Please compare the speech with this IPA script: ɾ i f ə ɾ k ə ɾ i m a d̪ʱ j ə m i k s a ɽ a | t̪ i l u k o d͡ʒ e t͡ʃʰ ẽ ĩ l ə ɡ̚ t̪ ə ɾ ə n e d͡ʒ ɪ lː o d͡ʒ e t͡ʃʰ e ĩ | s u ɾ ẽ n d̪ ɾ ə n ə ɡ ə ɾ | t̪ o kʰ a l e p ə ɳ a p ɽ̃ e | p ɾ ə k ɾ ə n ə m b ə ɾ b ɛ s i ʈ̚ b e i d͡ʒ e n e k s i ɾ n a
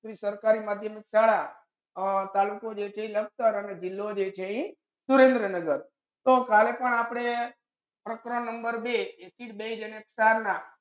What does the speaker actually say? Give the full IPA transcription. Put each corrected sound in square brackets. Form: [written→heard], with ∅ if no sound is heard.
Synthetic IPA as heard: ɾ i [f→s] ə ɾ k [ə→a] ɾ i m a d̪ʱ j ə m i k s a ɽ a | t̪ [i→a] l u k o d͡ʒ e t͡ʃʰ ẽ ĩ l ə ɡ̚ t̪ ə ɾ ə n e d͡ʒ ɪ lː o d͡ʒ e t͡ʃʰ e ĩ | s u ɾ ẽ n d̪ ɾ ə n ə ɡ ə ɾ | t̪ o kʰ a l e p ə ɳ a p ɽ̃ e | p ɾ ə k ɾ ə n ə m b ə ɾ b [ɛ→e] s i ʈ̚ b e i d͡ʒ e n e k s [i→a] ɾ n a